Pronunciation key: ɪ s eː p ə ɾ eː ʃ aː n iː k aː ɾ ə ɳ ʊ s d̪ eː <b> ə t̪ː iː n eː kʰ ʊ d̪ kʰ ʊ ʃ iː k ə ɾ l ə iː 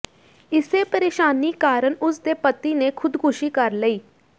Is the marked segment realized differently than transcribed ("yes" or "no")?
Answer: yes